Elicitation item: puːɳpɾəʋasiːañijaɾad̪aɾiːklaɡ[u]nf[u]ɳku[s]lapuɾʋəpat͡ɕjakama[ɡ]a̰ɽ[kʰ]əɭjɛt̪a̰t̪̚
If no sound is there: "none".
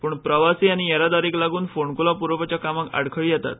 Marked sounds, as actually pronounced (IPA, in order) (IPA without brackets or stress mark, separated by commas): uː, o, none, k, kʰ